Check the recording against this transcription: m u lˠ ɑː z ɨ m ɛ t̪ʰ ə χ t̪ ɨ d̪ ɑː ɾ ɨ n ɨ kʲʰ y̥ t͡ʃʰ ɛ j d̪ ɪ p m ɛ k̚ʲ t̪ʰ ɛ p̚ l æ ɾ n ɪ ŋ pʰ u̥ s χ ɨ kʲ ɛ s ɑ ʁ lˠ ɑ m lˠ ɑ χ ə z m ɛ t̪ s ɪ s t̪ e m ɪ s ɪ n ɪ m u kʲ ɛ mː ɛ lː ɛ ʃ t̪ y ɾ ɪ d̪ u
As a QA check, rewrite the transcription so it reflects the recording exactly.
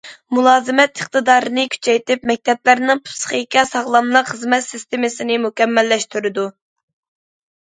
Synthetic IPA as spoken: m u lˠ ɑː z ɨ m ɛ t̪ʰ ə χ t̪ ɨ d̪ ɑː ɾ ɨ n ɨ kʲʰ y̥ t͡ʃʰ ɛ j t̪ ɪ p m ɛ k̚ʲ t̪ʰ ɛ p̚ l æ ɾ n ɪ ŋ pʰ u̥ s χ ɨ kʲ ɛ s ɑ ʁ lˠ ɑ m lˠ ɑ χ ə z m ɛ t̪ s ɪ s t̪ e m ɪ s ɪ n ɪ m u kʲ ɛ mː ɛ lː ɛ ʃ t̪ y ɾ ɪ d̪ u